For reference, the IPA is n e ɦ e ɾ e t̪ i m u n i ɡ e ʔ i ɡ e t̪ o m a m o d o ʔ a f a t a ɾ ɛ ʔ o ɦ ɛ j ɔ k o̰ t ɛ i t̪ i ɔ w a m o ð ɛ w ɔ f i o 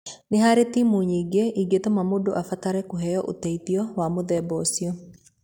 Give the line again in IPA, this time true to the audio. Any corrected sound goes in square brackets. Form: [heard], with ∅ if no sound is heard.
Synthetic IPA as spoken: n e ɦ [a] ɾ e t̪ i m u [ɲ] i ɡ e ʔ i ɡ e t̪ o m a m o d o ʔ a f a t a ɾ ɛ [k] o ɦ ɛ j ɔ [ʔ] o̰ t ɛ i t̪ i ɔ w a m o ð ɛ [b] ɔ [s] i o